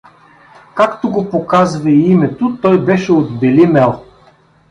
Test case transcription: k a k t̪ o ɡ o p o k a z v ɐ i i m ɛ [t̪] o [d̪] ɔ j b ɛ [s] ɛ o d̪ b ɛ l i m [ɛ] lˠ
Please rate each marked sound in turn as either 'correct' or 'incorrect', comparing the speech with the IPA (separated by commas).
correct, incorrect, incorrect, correct